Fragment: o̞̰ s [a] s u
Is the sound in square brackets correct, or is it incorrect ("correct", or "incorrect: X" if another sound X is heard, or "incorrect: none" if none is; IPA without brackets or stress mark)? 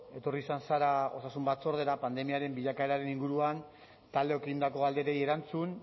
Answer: correct